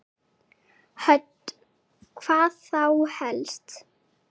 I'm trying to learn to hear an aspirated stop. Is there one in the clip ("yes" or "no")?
yes